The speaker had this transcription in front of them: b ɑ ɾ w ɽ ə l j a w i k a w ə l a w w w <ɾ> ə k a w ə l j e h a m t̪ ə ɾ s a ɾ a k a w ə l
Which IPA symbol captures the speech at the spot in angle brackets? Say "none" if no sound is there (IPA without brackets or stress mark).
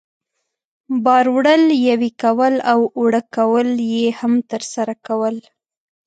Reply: ɽ